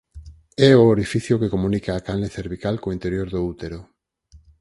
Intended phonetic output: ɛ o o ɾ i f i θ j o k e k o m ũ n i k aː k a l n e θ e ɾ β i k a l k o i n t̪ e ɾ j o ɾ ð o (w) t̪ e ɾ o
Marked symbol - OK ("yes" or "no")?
no